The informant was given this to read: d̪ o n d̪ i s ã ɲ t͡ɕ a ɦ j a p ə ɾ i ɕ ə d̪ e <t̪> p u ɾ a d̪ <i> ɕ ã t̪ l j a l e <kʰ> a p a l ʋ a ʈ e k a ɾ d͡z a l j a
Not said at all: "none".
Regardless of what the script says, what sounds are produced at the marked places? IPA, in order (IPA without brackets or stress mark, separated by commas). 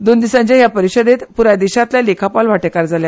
t̪, i, kʰ